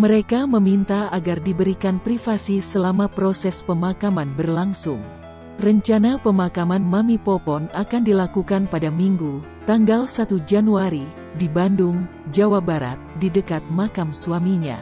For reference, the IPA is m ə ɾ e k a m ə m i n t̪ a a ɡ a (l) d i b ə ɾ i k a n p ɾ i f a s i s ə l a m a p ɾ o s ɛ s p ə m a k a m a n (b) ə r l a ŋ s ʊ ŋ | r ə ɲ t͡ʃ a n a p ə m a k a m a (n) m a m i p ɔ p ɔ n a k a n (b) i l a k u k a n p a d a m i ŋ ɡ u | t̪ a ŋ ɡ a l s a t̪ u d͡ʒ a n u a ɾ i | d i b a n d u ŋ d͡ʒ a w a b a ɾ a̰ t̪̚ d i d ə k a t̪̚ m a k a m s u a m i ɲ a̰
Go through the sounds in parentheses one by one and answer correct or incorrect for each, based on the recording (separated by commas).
incorrect, correct, correct, incorrect